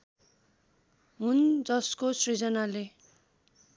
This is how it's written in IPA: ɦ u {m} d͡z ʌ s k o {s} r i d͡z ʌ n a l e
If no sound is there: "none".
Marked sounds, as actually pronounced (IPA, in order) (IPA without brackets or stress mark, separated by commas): n, s